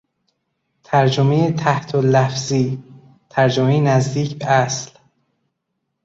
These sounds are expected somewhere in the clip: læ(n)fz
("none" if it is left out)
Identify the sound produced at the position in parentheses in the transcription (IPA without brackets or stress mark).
none